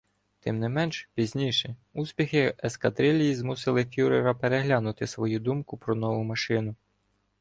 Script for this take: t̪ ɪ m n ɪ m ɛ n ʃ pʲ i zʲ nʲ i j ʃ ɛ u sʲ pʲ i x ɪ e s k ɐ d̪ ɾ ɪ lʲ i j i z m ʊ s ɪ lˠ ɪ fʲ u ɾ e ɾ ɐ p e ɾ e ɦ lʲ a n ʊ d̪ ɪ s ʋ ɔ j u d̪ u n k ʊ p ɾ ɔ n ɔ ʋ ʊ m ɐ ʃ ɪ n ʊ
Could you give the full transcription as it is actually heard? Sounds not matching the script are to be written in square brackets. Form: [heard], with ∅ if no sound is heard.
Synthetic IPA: t̪ ɪ m n ɪ m ɛ n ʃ pʲ i zʲ nʲ i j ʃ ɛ u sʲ pʲ i x ɪ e s k ɐ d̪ ɾ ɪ lʲ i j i z m [u] s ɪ lˠ ɪ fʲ u ɾ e ɾ ɐ p e ɾ e ɦ lʲ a n ʊ [t̪] ɪ s ʋ ɔ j u d̪ u [m] k ʊ p ɾ ɔ n ɔ ʋ ʊ m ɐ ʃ ɪ n ʊ

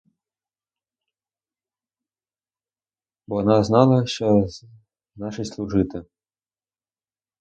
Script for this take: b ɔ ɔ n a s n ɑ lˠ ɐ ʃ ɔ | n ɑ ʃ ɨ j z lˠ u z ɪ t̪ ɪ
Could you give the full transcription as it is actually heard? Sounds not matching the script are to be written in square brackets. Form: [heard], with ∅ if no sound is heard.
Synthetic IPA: b ɔ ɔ n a [z] n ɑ lˠ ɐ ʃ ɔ | n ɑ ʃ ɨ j [s] lˠ u [ʐ] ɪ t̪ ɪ

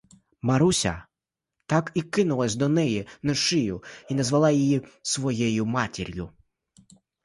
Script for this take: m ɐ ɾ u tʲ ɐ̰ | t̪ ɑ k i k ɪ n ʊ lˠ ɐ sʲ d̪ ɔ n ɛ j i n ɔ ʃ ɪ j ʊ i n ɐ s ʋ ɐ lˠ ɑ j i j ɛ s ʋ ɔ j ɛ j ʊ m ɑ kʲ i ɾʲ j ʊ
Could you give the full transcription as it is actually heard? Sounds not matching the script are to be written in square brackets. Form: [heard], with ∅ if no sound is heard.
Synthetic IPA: m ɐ ɾ u [sʲ] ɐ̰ | t̪ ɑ k i k ɪ n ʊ lˠ ɐ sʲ d̪ ɔ n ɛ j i n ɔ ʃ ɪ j ʊ i n ɐ [z] ʋ ɐ lˠ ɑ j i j [i] s ʋ ɔ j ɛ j ʊ m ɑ [tʲ] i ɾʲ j ʊ

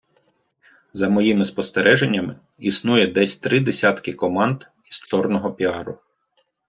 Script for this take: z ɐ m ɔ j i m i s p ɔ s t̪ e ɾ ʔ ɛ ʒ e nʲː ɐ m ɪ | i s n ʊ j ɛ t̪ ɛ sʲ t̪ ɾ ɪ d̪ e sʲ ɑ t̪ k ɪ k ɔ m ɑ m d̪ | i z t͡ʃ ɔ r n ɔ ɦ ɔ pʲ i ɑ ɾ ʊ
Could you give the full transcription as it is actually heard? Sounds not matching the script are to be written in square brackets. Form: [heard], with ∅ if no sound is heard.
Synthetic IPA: z ɐ m ɔ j i m [ɪ] s p ɔ s t̪ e ɾ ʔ ɛ ʒ e nʲː ɐ m ɪ | i s n [u] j ɛ [d̪] ɛ sʲ t̪ ɾ ɪ d̪ e sʲ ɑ t̪ k ɪ k ɔ m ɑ [n] d̪ | i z t͡ʃ ɔ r n ɔ ɦ ɔ pʲ i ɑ ɾ ʊ

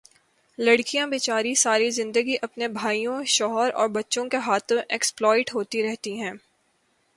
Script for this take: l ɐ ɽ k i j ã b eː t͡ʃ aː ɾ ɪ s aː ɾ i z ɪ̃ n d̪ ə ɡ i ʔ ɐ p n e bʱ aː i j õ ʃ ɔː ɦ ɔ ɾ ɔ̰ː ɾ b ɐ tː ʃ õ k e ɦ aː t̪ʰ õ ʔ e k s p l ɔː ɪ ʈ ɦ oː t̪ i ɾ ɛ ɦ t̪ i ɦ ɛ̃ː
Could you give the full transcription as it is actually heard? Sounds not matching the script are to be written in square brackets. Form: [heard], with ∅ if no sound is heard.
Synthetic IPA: l ɐ ɽ k i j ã b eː t͡ʃ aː ɾ [i] s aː ɾ i z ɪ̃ n d̪ ə ɡ i ʔ ɐ p n e bʱ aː i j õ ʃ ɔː ɦ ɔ ɾ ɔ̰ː ɾ b ɐ tː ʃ õ k e ɦ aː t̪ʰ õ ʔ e k s p l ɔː ɪ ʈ ɦ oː t̪ i ɾ ɛ ɦ t̪ i ɦ ɛ̃ː

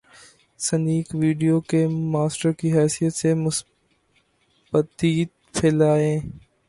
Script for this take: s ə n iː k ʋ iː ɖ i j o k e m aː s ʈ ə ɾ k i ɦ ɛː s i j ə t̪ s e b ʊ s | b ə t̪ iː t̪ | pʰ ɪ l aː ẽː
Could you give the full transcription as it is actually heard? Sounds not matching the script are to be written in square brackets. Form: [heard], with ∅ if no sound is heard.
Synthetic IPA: s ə n iː k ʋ iː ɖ i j o k e m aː s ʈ ə ɾ k i ɦ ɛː s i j ə t̪ s e [m] ʊ s | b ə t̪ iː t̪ | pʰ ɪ l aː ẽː

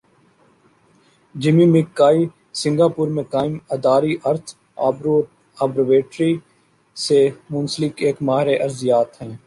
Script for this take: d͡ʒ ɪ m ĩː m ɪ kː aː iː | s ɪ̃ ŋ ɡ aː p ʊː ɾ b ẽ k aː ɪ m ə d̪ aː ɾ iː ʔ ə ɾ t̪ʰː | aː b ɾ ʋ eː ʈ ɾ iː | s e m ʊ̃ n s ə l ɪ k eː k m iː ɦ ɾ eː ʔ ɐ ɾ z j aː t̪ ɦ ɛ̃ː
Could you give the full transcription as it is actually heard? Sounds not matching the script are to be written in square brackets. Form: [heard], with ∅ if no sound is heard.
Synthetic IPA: d͡ʒ ɪ m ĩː m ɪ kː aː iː | s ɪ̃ ŋ ɡ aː p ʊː ɾ [m] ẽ k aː ɪ m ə d̪ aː ɾ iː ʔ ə ɾ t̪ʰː | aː b ɾ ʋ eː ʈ ɾ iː | s e m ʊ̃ n s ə l ɪ k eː k m [aː] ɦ ɾ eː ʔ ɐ ɾ z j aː t̪ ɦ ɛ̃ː

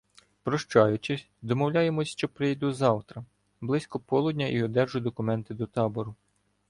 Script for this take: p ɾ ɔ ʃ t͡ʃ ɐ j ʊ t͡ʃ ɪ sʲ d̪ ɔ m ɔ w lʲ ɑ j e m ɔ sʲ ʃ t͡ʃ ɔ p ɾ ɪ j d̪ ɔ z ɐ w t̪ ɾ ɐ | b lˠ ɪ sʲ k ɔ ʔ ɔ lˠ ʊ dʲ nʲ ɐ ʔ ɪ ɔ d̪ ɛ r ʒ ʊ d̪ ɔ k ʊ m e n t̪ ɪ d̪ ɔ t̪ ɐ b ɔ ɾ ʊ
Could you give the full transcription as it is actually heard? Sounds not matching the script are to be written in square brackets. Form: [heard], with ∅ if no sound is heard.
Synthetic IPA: p ɾ ɔ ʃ t͡ʃ [ɑ] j ʊ t͡ʃ ɪ sʲ d̪ ɔ m ɔ w lʲ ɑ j e m ɔ sʲ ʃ t͡ʃ ɔ p ɾ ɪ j d̪ [u] z [ɑ] w t̪ ɾ ɐ | b lˠ ɪ sʲ k ɔ [p] ɔ lˠ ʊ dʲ nʲ ɐ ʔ [i] ɔ d̪ ɛ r ʒ ʊ d̪ ɔ k ʊ m [ɛ] n t̪ ɪ d̪ ɔ t̪ [ɑ] b ɔ ɾ ʊ

